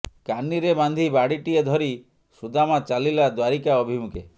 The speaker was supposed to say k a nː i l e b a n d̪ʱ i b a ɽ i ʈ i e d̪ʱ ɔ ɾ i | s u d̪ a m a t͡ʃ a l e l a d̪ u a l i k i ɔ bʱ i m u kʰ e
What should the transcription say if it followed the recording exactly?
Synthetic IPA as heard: k a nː i ɾ e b a n d̪ʱ i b a ɽ i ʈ i e d̪ʱ ɔ ɾ i | s u d̪ a m a t͡ʃ a l i l a d̪ w a ɾ i k a ɔ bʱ i m u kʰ e

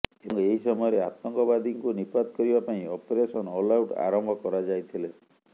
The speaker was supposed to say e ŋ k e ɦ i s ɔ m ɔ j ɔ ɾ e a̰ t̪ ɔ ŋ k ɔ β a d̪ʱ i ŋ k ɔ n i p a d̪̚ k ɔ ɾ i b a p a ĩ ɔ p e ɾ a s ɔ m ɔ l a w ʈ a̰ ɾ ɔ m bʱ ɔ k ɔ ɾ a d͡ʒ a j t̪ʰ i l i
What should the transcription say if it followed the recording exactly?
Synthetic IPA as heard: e ŋ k e ɦ i s ɔ m ɔ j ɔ ɾ e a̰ t̪ ɔ ŋ k ɔ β a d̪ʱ i ŋ k u n i p a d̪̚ k ɔ ɾ i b a p a ĩ ɔ p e ɾ e s ɔ n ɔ l a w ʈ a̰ ɾ ɔ m bʱ ɔ k ɔ ɾ a d͡ʒ a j t̪ʰ i l e

